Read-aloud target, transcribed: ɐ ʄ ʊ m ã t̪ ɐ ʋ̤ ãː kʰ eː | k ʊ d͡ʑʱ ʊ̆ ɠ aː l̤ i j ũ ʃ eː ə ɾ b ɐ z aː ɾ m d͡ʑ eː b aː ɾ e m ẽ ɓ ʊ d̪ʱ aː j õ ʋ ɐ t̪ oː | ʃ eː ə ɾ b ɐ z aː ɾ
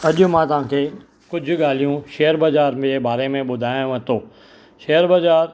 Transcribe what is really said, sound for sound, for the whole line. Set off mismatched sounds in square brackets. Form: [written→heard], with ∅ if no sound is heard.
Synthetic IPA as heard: ɐ ʄ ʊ m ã t̪ ɐ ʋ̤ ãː kʰ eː | k ʊ d͡ʑʱ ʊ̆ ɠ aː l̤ i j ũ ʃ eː ə ɾ b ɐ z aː ɾ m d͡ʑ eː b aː ɾ e m ẽ ɓ ʊ d̪ʱ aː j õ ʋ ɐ t̪ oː | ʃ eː ə ɾ b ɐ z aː ɾ